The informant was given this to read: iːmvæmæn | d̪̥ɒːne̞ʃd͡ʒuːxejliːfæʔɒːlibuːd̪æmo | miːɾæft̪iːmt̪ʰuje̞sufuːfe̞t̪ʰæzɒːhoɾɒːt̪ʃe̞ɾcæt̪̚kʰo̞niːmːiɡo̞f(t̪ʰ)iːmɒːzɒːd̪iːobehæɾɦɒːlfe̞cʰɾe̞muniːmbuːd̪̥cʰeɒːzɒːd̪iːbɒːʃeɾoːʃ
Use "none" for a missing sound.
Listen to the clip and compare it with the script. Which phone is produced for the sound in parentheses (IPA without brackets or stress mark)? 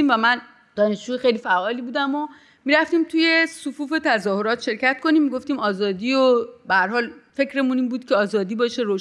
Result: t̪